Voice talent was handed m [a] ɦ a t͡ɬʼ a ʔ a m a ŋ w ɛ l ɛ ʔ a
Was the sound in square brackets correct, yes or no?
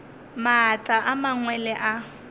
yes